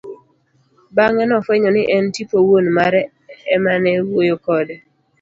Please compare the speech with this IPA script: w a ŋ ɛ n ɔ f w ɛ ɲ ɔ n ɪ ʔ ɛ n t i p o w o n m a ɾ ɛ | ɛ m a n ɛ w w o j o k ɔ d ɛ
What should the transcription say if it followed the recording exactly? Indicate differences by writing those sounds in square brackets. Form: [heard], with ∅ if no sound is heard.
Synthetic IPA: [b] a ŋ ɛ n ɔ f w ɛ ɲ ɔ n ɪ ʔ ɛ n t i p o w o n m a ɾ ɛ | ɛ m a n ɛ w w o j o k ɔ d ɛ